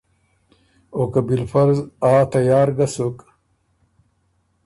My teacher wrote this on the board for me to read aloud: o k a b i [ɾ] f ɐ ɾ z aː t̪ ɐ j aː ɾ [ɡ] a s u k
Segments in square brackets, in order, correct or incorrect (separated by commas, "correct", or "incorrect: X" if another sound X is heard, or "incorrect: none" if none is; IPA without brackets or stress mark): incorrect: l, correct